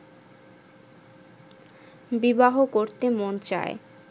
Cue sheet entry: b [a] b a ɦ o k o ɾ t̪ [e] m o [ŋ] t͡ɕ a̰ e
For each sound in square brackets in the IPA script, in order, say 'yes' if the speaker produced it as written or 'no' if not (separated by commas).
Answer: no, yes, no